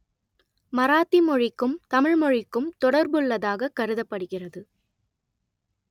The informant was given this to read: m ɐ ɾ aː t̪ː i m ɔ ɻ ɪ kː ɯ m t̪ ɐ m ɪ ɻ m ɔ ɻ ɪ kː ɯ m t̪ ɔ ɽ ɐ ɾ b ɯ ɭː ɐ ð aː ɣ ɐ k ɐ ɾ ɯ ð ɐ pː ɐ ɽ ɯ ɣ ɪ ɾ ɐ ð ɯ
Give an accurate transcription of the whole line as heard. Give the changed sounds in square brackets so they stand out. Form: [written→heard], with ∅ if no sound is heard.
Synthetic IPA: m ɐ ɾ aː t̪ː i m ɔ ɻ ɪ kː ɯ m t̪ ɐ m ɪ ɻ m ɔ ɻ ɪ kː ɯ m t̪ ɔ ɽ ɐ ɾ b ɯ ɭː ɐ ð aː ɣ ɐ k ɐ ɾ ɯ ð ɐ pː ɐ ɽ ɯ ɣ ɪ [ɾ→r] ɐ ð ɯ